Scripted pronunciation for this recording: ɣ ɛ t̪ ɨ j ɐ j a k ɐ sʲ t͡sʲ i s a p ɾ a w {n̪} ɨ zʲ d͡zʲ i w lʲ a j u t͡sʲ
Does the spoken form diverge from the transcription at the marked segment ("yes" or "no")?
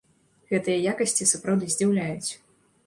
yes